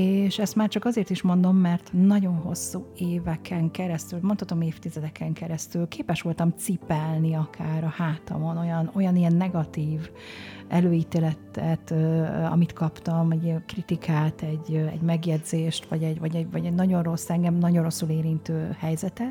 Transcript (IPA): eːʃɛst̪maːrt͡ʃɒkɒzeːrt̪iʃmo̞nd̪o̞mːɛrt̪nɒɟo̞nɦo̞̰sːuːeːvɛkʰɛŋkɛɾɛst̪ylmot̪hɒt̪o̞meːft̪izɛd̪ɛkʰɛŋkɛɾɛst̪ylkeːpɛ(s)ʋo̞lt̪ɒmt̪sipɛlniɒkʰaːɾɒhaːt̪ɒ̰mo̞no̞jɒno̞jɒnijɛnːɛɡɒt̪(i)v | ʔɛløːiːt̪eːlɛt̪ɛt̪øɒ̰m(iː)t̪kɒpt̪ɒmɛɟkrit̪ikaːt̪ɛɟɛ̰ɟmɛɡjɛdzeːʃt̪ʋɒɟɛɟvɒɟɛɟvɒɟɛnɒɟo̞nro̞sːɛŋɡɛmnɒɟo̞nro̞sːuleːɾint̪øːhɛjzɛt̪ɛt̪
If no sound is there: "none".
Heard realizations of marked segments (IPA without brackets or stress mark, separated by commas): ʃ, iː, i